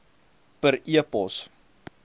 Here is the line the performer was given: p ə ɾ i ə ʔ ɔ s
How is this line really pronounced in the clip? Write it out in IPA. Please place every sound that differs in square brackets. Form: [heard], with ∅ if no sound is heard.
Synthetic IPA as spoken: p ə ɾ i ə [p] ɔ s